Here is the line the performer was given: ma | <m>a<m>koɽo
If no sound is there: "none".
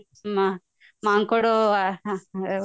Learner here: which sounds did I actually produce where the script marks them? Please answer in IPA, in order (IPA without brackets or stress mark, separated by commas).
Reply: m, ŋ